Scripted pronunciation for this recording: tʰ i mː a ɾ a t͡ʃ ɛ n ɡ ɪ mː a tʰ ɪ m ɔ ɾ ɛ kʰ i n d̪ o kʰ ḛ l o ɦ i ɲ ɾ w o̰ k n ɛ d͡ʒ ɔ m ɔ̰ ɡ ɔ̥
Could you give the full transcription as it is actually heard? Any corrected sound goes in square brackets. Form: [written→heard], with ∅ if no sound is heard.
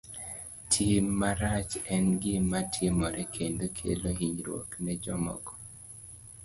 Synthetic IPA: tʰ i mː a ɾ a t͡ʃ ɛ n ɡ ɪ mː a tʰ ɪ m ɔ ɾ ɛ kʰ [i→e] n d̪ o kʰ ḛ l o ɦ i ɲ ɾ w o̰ k n ɛ d͡ʒ ɔ m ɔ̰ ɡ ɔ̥